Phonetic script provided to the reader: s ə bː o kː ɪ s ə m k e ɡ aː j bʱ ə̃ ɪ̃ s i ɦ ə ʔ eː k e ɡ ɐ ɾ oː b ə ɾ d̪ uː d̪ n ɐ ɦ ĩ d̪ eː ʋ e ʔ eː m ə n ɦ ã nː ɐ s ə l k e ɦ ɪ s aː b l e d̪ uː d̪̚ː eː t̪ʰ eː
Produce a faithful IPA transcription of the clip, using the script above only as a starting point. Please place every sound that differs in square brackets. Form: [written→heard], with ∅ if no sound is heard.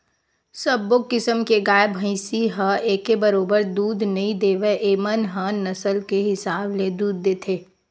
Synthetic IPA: s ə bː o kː ɪ s ə m k e ɡ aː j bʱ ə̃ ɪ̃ s i ɦ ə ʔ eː k e [ɡ→b] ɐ ɾ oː b ə ɾ d̪ uː d̪ n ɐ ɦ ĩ d̪ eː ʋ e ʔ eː m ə n ɦ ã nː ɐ s ə l k e ɦ ɪ s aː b l e d̪ uː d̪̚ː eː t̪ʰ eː